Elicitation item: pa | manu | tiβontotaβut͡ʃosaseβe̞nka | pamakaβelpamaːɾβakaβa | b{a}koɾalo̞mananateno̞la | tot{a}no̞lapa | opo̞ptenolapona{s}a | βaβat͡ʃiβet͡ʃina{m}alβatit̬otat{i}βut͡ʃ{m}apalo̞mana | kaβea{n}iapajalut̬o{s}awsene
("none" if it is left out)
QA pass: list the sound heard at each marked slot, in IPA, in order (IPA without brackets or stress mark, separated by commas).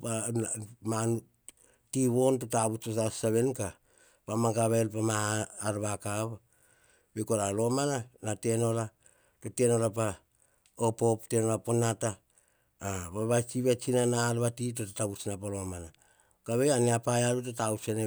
e, e, t, n, a, n, n, t